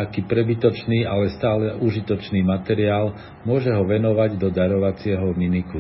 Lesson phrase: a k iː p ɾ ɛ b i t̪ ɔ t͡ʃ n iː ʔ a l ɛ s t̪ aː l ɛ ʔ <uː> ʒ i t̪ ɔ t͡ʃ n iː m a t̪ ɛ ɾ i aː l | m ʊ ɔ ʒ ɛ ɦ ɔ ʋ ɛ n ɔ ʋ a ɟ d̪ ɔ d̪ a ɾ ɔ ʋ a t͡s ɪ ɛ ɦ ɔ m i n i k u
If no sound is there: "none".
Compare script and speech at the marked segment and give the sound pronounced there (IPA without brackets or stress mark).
u